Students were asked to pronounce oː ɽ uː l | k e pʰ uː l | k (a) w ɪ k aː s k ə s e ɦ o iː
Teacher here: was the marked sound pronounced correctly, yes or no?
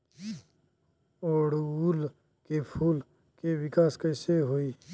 no